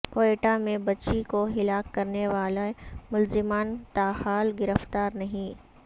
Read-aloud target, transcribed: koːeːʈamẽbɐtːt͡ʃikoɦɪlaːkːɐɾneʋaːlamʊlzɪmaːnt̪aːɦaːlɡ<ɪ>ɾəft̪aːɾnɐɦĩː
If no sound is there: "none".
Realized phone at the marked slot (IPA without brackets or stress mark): ɪ